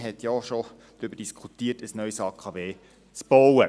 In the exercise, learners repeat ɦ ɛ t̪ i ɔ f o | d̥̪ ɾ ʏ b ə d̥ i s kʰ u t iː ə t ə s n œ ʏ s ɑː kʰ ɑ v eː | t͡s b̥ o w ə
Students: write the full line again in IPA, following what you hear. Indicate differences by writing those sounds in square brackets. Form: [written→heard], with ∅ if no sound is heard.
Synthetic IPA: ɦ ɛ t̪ [i→j] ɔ [f→ʃ] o | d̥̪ ɾ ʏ b ə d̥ i s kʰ u t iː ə t ə s n œ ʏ s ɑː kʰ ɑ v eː | t͡s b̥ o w ə

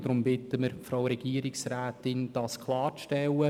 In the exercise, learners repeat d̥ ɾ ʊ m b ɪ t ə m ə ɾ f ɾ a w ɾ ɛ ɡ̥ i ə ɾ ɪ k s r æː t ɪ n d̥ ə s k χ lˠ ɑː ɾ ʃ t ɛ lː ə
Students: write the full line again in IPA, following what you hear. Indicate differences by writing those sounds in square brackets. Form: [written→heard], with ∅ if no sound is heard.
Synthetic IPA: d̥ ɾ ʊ m b ɪ t ə m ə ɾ f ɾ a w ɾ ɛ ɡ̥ i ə ɾ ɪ k s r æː t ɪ n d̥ [ə→ɑ] s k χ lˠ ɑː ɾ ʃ t ɛ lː ə

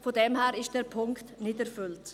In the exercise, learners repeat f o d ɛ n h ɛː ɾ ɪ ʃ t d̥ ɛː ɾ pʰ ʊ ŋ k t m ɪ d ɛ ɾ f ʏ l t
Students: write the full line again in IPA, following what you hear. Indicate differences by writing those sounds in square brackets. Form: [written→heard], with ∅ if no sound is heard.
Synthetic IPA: f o d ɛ [n→m] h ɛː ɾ ɪ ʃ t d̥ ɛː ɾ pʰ ʊ ŋ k t [m→n] ɪ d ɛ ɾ f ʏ l t

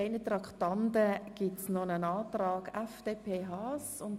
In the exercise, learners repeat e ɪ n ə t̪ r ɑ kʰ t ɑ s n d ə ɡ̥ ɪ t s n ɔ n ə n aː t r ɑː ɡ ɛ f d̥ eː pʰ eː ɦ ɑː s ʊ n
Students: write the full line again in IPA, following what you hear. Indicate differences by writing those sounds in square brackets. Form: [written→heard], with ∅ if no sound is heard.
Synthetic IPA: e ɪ n ə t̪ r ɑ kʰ t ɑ [s→∅] n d ə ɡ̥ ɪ t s n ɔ n ə n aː t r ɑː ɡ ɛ f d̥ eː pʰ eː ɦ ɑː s ʊ n

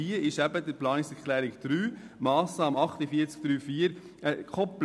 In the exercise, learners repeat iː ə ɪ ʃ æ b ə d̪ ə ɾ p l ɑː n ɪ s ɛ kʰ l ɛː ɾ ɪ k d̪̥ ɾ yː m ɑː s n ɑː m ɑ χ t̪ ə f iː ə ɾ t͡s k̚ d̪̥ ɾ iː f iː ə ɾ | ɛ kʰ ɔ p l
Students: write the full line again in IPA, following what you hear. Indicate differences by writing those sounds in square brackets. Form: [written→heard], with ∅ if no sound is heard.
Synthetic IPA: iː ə ɪ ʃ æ b ə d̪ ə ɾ p l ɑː n ɪ s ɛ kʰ l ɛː ɾ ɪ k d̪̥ ɾ yː m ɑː s n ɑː m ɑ χ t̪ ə f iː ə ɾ t͡s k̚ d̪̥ ɾ [iː→yː] f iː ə ɾ | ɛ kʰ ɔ p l

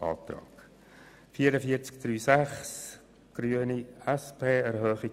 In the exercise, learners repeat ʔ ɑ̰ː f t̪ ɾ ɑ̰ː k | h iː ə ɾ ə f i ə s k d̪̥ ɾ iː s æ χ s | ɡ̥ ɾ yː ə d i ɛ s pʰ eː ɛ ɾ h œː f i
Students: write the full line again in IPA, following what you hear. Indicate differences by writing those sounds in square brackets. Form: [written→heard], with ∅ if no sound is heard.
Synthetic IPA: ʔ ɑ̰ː [f→∅] t̪ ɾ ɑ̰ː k | [h→f] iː ə ɾ ə f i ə [s→t͡s] k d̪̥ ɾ [iː→yː] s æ χ s | ɡ̥ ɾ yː ə [d→n] i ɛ s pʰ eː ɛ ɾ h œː [f→χ] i

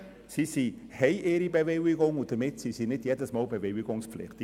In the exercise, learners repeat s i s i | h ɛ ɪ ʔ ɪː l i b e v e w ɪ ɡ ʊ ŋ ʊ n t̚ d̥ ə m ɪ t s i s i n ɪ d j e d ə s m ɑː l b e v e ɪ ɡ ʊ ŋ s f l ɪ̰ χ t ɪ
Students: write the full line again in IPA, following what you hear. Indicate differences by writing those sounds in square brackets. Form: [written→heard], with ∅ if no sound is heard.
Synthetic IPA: s i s i | h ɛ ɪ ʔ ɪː [l→ɾ] i b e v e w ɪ ɡ ʊ ŋ ʊ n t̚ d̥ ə m ɪ t s i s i n ɪ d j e d ə s m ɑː l b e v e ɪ ɡ ʊ ŋ s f l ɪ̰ χ t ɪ

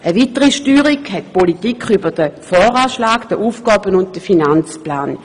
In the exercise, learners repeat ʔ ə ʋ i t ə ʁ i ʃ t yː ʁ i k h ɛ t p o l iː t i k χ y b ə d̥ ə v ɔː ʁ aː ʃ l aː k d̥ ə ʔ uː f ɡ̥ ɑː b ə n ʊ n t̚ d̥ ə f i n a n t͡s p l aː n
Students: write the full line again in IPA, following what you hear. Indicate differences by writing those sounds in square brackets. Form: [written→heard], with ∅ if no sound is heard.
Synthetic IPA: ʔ ə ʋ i t ə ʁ i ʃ t yː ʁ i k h ɛ t p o l [iː→i] t i k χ y b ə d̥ ə [v→f] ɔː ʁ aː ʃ l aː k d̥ ə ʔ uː f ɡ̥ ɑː b ə n ʊ n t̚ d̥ ə f i n a n t͡s p l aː n

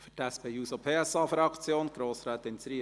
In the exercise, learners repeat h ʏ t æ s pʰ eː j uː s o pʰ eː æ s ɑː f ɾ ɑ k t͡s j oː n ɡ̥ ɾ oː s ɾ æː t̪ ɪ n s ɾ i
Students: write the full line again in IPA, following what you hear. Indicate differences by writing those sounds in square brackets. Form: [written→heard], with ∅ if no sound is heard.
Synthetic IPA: [h→f] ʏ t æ s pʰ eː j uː s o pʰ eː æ s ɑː f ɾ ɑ k t͡s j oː n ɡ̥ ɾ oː s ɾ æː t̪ ɪ n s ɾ i

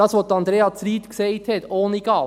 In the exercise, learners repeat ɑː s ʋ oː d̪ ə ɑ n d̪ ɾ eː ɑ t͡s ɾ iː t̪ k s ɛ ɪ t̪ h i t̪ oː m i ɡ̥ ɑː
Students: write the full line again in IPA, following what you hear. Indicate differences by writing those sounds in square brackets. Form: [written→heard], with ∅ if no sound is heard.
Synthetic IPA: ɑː s ʋ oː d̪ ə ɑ n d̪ ɾ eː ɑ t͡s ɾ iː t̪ k s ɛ ɪ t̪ h [i→ɛ] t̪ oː [m→n] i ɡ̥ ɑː

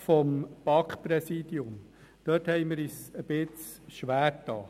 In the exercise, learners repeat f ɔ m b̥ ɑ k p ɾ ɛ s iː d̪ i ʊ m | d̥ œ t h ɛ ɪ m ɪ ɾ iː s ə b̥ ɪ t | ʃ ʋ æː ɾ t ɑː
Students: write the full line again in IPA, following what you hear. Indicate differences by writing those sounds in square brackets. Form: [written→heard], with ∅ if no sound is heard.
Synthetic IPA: f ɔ m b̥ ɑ k p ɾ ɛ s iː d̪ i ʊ m | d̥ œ t h ɛ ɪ m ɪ ɾ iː s ə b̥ ɪ [t→t͡s] | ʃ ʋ æː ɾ t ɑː

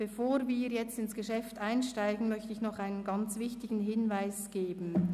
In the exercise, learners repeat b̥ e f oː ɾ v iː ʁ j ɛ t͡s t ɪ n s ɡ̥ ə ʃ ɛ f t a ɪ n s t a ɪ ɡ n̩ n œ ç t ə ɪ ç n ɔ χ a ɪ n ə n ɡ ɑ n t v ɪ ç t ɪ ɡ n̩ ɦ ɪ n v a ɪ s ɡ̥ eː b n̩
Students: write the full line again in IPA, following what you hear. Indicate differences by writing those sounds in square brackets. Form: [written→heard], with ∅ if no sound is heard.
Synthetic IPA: b̥ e f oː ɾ v iː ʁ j ɛ t͡s t ɪ n s ɡ̥ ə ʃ ɛ f t a ɪ n [s→ʃ] t a ɪ ɡ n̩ [n→m] œ ç t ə ɪ ç n ɔ χ a ɪ n ə n ɡ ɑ n [t→t͡s] v ɪ ç t ɪ ɡ n̩ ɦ ɪ n v a ɪ s ɡ̥ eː b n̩

